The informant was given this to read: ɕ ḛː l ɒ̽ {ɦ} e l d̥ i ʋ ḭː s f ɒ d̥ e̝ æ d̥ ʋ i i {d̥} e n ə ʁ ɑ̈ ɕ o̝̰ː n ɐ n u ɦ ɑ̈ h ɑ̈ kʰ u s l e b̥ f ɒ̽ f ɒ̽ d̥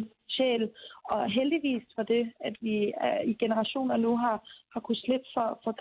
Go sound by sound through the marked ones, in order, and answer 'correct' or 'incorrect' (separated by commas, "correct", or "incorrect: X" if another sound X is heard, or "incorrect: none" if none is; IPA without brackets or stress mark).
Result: correct, incorrect: ɡ̥